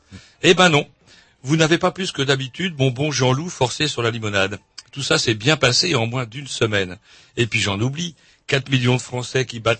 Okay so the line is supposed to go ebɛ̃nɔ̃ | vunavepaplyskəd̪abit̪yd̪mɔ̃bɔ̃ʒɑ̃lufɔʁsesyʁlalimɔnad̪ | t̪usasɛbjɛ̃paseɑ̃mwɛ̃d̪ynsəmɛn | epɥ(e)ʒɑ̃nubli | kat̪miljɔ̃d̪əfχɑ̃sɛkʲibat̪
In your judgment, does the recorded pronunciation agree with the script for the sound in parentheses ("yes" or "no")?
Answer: no